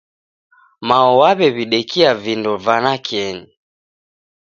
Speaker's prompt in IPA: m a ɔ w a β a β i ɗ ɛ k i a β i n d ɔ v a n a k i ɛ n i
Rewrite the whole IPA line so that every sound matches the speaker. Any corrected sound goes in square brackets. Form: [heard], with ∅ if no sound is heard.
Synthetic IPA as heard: m a ɔ w a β [ɛ] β i ɗ ɛ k i a [v] i n d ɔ v a n a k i ɛ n i